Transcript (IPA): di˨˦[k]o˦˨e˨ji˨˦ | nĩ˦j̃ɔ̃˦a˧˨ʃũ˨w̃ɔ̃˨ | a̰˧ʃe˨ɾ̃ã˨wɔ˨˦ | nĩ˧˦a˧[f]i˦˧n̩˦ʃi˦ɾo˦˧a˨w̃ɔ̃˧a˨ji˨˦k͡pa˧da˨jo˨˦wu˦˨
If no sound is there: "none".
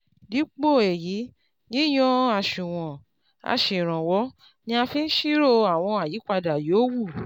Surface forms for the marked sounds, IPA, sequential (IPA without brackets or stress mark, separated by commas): k͡p, f